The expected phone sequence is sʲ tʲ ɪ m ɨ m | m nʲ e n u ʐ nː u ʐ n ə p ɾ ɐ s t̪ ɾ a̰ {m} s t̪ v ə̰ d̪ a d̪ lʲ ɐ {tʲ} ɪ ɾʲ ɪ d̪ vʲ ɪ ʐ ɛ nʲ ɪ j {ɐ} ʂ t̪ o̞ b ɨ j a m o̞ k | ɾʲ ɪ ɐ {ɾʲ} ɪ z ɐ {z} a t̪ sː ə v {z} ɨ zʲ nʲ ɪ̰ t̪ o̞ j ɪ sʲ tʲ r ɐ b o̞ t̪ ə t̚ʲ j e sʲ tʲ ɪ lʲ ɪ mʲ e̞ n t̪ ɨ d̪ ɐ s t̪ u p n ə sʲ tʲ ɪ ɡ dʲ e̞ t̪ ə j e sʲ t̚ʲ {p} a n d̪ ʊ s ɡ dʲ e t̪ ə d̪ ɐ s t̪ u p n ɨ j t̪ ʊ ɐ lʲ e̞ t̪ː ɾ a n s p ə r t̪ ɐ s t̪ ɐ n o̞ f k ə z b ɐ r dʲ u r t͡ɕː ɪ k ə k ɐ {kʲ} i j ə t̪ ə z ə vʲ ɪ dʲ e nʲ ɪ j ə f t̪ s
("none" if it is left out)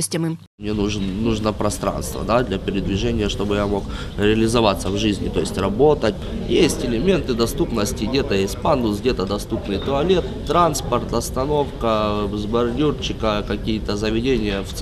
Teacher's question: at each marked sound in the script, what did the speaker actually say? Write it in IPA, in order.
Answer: n, pʲ, ə, lʲ, v, ʐ, p, kʲ

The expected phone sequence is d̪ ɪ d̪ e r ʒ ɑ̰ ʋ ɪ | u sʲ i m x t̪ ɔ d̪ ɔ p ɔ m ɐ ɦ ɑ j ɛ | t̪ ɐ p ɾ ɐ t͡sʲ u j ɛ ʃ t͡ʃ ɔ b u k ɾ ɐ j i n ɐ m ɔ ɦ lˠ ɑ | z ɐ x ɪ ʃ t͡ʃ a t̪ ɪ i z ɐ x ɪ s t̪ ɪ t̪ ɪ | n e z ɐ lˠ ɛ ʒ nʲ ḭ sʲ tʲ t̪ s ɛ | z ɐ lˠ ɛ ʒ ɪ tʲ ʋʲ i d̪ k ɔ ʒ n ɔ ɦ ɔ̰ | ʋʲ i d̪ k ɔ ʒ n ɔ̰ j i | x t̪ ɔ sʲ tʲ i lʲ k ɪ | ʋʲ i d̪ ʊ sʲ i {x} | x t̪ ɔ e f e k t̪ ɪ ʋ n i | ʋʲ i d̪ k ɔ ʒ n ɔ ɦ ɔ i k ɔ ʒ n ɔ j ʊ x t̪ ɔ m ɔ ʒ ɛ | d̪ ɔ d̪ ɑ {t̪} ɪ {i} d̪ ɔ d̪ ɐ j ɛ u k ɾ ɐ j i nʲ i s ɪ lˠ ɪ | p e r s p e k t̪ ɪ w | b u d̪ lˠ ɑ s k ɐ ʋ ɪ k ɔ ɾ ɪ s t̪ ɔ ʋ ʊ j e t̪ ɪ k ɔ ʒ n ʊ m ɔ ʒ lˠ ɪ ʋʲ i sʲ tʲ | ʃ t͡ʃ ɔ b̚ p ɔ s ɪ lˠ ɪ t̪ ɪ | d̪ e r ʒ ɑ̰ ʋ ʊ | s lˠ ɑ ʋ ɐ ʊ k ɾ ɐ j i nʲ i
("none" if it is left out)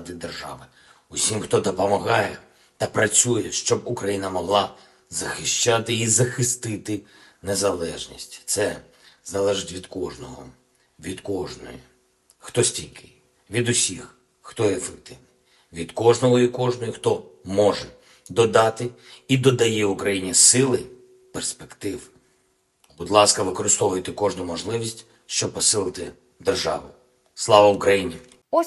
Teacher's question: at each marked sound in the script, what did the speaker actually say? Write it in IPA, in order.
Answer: x, t̪, i

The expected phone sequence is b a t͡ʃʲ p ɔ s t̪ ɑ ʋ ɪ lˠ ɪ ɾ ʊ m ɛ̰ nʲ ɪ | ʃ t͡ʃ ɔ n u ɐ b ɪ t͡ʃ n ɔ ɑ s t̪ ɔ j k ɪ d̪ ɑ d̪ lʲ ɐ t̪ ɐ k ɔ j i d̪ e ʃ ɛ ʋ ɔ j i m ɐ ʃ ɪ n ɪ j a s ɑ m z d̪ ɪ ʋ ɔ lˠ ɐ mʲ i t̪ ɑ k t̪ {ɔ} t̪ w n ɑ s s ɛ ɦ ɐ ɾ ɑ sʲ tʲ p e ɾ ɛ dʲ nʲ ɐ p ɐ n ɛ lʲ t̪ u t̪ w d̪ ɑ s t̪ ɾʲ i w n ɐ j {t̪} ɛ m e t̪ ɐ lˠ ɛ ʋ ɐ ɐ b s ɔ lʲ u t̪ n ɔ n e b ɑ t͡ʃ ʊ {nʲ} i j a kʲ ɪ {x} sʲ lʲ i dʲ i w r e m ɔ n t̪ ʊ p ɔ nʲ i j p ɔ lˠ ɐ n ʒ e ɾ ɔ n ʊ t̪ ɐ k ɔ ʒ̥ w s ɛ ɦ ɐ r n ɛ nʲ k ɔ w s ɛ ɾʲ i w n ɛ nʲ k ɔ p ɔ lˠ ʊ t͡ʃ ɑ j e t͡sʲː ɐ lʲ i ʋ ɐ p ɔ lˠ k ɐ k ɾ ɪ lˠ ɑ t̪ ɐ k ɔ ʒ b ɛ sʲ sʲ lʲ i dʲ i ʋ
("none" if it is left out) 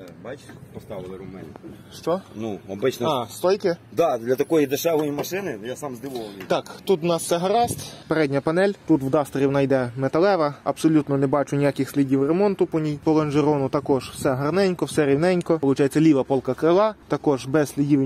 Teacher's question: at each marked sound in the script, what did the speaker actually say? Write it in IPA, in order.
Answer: u, d̪, nʲ, x

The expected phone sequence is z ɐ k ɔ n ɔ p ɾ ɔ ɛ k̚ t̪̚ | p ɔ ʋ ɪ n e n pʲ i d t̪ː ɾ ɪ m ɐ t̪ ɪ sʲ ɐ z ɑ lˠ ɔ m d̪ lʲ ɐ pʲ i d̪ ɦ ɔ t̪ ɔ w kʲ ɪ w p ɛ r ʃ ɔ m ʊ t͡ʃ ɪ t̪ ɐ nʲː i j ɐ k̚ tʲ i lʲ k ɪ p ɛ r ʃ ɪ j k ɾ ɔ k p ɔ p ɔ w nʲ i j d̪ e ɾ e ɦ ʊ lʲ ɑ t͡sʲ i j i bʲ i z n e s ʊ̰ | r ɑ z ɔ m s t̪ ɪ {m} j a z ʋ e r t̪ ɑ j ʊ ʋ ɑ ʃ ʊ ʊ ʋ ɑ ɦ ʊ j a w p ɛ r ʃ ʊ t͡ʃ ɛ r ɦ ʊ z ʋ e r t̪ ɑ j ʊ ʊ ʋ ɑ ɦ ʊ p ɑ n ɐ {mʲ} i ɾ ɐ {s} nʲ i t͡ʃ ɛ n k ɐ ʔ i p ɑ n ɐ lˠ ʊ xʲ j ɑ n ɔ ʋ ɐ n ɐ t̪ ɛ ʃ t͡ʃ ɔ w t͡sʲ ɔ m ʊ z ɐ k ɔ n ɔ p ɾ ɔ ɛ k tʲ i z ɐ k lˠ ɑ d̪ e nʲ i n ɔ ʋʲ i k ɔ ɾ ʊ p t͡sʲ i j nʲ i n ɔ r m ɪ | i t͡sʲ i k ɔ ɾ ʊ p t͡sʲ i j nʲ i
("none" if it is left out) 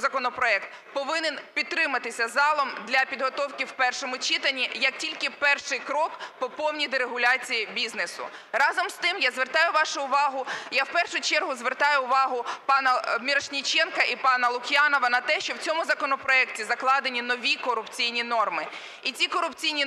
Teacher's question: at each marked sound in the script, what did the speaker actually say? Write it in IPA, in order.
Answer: m, mʲ, ʃ

